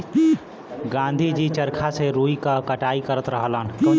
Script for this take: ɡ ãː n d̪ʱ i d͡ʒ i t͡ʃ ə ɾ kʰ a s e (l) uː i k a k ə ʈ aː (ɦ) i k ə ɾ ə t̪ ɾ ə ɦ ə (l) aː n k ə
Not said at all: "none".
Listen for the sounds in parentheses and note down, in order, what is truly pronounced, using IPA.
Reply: ɾ, none, l

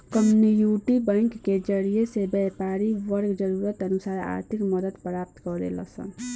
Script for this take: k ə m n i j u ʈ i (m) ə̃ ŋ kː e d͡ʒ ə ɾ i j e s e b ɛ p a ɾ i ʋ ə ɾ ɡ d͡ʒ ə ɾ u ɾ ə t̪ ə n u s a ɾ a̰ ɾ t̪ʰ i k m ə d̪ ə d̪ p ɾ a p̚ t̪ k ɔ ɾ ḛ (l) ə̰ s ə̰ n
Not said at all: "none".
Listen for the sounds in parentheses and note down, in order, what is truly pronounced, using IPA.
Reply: b, l

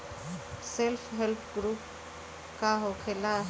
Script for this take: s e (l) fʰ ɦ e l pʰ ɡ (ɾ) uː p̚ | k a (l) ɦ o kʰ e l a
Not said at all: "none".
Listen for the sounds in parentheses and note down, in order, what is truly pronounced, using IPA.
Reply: l, ɾ, none

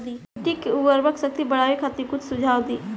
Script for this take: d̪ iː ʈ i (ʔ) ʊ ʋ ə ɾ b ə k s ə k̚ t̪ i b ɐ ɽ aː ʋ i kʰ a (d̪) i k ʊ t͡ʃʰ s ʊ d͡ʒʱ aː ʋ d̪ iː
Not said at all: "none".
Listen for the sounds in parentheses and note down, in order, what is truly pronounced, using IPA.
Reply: k, t̪

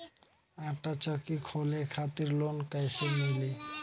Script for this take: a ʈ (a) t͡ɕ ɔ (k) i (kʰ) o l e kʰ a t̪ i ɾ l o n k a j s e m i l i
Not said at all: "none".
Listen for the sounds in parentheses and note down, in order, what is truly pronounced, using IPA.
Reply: a, k, kʰ

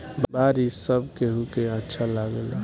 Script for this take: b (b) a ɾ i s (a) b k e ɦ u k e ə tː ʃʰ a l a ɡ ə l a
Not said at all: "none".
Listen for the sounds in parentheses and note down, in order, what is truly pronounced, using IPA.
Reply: b, ə

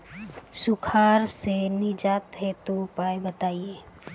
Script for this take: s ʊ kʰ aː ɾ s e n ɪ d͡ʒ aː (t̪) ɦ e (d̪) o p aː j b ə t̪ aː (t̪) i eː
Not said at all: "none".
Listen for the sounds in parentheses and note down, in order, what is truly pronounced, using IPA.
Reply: t̪, t̪, none

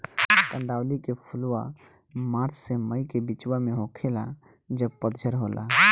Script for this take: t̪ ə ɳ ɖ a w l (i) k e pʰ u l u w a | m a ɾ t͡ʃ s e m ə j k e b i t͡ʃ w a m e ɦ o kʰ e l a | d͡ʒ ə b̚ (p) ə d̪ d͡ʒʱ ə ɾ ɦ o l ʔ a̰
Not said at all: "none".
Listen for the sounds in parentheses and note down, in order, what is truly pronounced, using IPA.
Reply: i, p

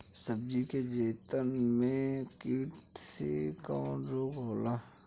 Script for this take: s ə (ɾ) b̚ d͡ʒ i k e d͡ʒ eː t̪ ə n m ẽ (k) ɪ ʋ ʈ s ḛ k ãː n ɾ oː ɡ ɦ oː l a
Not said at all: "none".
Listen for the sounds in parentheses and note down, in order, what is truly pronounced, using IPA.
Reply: none, k

